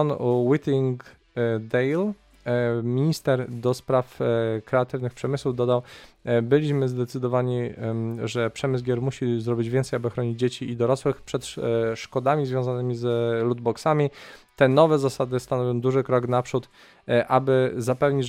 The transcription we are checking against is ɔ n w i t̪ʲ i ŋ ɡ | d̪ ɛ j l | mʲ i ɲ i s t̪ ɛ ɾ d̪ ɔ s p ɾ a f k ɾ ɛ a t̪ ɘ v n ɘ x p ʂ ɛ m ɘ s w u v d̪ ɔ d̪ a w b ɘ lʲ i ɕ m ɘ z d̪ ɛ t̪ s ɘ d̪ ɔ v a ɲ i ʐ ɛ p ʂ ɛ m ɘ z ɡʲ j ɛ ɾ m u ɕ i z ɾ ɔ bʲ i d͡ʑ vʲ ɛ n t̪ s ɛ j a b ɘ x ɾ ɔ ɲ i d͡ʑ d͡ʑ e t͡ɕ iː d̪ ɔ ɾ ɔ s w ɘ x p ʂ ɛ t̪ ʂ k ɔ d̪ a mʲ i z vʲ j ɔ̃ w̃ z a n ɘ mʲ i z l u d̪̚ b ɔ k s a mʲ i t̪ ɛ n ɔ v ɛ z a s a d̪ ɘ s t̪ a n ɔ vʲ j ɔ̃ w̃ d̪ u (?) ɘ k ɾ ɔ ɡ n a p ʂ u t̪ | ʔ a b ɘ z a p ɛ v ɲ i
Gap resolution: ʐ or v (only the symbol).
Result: ʐ